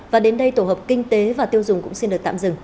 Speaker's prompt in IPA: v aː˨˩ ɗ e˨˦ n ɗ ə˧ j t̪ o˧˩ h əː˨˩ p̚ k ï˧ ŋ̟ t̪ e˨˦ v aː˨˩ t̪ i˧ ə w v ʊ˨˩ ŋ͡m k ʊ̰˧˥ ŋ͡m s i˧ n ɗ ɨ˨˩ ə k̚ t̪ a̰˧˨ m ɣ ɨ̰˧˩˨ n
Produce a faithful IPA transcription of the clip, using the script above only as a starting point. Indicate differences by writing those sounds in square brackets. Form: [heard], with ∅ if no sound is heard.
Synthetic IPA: v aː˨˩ ɗ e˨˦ n ɗ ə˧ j t̪ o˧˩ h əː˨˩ p̚ k ï˧ ŋ̟ t̪ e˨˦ v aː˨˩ t̪ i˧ ə w [z] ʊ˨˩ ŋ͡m k ʊ̰˧˥ ŋ͡m s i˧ n ɗ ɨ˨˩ ə k̚ t̪ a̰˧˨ m [z] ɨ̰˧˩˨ [ŋ]